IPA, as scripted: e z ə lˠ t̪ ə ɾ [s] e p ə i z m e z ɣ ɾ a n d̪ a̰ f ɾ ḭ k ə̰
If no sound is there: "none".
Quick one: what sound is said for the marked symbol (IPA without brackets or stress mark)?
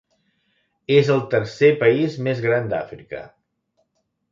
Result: s